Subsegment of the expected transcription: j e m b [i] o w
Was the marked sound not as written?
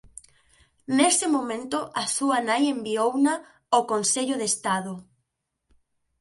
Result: no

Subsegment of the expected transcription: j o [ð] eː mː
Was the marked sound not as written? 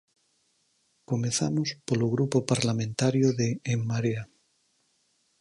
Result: no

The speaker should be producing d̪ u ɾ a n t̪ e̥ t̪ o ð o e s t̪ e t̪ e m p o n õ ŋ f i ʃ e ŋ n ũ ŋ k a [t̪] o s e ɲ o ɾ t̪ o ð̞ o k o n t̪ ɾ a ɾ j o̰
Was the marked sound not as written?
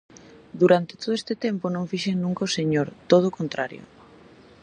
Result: yes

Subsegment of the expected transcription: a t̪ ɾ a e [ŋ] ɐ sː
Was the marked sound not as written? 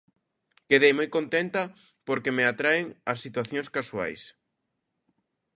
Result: no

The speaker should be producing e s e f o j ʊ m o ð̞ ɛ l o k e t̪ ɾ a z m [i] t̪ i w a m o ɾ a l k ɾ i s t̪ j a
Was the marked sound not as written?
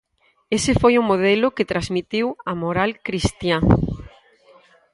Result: no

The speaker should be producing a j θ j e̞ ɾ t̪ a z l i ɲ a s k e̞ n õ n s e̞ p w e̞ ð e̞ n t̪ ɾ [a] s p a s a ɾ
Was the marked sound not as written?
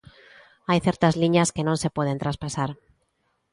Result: no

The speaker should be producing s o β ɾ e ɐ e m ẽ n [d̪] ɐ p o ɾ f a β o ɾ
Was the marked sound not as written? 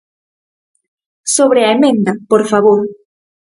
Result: no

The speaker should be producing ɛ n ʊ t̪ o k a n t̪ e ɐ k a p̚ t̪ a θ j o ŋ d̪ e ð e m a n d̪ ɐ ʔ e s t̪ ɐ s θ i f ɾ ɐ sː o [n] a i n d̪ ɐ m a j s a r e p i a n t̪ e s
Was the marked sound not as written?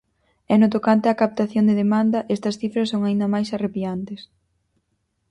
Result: yes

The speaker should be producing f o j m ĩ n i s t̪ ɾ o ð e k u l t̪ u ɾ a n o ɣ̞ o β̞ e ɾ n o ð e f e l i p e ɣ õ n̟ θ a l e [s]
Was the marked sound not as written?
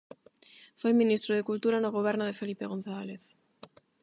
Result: yes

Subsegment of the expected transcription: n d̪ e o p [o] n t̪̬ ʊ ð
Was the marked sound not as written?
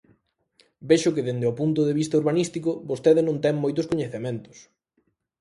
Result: yes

